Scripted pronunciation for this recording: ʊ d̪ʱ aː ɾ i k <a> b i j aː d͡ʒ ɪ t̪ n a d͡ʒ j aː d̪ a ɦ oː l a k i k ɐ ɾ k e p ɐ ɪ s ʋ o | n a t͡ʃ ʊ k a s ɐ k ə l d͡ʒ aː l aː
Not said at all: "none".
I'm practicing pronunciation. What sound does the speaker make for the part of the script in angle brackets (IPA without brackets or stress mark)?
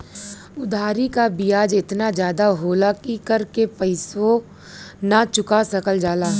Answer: a